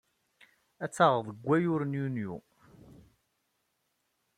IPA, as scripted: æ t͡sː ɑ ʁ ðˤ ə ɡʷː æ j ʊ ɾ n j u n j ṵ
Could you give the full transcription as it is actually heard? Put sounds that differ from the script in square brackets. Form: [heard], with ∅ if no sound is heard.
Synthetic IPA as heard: æ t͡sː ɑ ʁ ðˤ ə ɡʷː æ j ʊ ɾ n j u n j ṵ